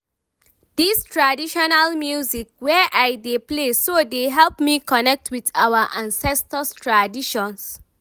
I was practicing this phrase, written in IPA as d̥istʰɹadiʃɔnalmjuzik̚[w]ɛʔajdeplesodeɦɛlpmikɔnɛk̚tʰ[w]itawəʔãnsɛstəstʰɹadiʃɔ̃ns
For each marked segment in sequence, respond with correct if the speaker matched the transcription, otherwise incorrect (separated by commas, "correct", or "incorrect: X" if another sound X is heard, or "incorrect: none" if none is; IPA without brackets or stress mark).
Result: correct, correct